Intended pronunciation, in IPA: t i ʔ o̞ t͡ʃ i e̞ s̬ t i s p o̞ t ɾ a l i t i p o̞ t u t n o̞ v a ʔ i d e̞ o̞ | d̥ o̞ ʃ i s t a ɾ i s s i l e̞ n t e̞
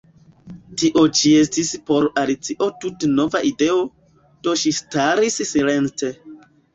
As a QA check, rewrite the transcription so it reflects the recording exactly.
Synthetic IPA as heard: t i ʔ o̞ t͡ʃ i e̞ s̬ t i s p o̞ ɾ a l i t͡s i ʔ o̞ t u t n o̞ v a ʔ i d e̞ o̞ | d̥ o̞ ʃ i s t a ɾ i s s i l e̞ n t e̞